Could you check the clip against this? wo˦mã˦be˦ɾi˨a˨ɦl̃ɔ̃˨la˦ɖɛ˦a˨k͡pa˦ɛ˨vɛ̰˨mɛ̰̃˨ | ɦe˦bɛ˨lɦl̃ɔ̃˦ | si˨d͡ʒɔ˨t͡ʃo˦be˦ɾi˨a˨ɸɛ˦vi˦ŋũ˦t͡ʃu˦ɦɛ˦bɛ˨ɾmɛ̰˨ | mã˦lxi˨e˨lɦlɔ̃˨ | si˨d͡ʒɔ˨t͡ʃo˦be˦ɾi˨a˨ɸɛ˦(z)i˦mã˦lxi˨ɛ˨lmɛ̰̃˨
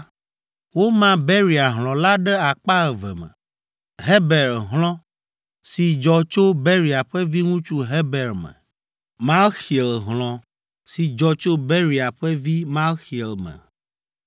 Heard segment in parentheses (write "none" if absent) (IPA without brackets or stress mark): v